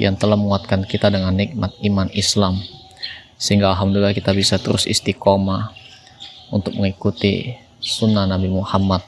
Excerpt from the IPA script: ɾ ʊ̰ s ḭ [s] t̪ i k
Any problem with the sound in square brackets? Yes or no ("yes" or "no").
no